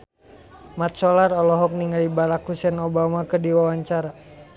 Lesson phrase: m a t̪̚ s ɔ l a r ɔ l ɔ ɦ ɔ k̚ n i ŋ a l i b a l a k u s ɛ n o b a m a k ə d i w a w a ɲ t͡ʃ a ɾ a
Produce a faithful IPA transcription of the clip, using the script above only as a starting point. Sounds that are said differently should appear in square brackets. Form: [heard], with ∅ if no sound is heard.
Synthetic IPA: m a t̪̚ s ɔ l a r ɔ l ɔ ɦ ɔ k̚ n i ŋ a l i b a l a k u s ɛ n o b a m a k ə d i w a w a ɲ t͡ʃ a ɾ a

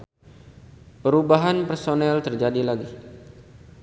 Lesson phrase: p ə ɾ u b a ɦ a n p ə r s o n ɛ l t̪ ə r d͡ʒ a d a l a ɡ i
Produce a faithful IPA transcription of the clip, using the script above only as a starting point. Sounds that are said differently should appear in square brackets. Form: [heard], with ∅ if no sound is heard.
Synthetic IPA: p ə ɾ u b a ɦ a n p ə r s o n ɛ l t̪ ə r d͡ʒ a d [i] l a ɡ i

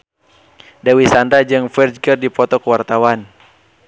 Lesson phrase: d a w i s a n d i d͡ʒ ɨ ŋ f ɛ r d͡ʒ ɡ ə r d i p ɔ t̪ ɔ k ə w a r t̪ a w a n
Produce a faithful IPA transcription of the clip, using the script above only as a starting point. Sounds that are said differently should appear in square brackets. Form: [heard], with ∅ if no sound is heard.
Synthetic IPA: d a w i s a n d [a] d͡ʒ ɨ ŋ f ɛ r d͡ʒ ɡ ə r d i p ɔ t̪ ɔ k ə w a r t̪ a w a n

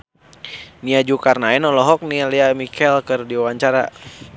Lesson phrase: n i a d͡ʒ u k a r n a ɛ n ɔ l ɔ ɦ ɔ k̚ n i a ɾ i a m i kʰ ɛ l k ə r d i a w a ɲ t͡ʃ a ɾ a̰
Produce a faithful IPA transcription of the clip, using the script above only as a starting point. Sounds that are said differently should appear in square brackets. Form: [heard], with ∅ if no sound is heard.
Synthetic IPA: n i a d͡ʒ u k a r n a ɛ n ɔ l ɔ ɦ ɔ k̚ n i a [l] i a m i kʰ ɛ l k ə r d i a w a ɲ t͡ʃ a ɾ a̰

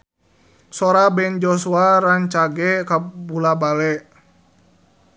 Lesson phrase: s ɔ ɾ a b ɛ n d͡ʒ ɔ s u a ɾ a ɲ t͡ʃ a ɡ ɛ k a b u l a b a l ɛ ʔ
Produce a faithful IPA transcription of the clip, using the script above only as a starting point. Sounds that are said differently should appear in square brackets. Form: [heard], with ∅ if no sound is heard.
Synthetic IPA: s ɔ ɾ a b ɛ n d͡ʒ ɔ s u a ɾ a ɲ t͡ʃ a ɡ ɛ k a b u l a b a l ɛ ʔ

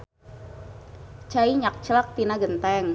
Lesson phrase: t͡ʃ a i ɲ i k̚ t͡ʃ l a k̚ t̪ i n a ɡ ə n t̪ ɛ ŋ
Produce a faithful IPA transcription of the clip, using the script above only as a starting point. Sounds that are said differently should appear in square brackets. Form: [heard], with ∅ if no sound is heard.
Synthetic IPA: t͡ʃ a i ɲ [a] k̚ t͡ʃ l a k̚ t̪ i n a ɡ ə n t̪ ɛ ŋ

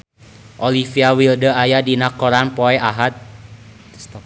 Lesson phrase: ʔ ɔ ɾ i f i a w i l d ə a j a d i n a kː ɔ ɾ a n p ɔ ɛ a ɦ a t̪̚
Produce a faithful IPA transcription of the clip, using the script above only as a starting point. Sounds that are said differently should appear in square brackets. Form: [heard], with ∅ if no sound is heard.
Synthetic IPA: ʔ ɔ [l] i f i a w i l d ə a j a d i n a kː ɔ ɾ a n p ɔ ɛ a ɦ a t̪̚

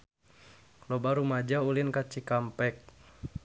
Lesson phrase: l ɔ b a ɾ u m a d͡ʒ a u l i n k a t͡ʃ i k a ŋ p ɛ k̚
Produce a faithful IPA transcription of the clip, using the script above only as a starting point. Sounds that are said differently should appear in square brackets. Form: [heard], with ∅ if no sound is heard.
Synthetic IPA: l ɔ b a ɾ u m a d͡ʒ a u l i n k a t͡ʃ i k a [m] p ɛ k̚

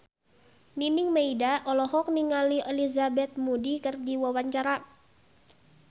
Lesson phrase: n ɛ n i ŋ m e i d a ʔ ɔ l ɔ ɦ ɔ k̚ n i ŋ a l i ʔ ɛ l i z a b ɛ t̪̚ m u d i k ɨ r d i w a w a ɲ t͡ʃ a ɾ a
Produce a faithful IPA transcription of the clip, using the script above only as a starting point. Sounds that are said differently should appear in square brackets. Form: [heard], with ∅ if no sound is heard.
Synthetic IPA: n [i] n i ŋ m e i d a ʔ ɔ l ɔ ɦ ɔ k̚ n i ŋ a l i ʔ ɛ l i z a b ɛ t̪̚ m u d i k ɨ r d i w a w a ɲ t͡ʃ a ɾ a

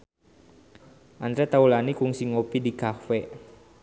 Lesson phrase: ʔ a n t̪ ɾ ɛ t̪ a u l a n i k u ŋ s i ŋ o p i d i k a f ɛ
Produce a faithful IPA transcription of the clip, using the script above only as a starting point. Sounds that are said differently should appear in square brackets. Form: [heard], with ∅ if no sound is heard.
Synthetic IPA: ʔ a n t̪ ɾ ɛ t̪ a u l a n i k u ŋ s i ŋ o p i d i k a f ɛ

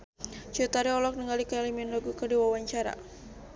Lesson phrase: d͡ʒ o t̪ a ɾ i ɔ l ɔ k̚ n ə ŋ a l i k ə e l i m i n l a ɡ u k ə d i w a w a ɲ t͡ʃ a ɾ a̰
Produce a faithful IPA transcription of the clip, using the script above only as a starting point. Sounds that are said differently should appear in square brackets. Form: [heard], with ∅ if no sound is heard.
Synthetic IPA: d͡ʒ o t̪ a ɾ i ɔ l ɔ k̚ n ə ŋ a l i k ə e l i m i n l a ɡ u k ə d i w a w a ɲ t͡ʃ a ɾ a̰

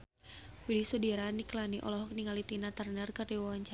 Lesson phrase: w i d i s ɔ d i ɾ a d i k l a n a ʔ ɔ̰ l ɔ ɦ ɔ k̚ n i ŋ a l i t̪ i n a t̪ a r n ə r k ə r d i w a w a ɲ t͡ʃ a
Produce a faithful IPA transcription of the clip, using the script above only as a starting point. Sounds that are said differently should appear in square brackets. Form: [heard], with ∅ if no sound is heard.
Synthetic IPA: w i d i s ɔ d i ɾ a [n] i k l a n [i] ʔ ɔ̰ l ɔ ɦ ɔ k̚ n i ŋ a l i t̪ i n a t̪ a r n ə r k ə r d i w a w a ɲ t͡ʃ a

